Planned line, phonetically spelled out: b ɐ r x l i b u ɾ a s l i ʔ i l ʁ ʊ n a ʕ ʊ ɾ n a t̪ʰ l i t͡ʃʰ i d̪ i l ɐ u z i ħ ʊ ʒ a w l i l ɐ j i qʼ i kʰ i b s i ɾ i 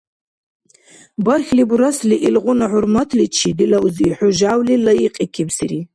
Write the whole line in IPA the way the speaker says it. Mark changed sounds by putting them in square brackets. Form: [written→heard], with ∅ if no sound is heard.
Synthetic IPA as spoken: b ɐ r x l i b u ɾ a s l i ʔ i l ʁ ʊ n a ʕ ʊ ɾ [n→m] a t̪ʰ l i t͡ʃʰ i d̪ i l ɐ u z i ħ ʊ ʒ a w l i l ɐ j i qʼ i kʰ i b s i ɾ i